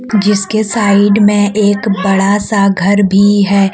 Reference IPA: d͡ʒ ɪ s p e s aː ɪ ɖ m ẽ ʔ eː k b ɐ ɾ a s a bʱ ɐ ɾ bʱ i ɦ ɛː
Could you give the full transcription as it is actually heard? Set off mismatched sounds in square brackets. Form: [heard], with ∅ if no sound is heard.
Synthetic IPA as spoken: d͡ʒ ɪ s [k] e s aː ɪ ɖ m ẽ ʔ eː k b ɐ [ɽ] a s a [ɡʱ] ɐ ɾ bʱ i ɦ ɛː